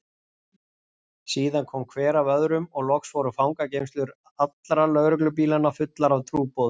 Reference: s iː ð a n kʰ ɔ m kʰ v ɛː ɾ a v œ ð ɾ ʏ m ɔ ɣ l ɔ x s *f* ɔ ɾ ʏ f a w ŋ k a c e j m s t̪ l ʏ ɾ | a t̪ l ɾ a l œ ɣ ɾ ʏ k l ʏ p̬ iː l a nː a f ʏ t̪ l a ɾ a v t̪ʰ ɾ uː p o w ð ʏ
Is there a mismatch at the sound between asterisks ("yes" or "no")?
yes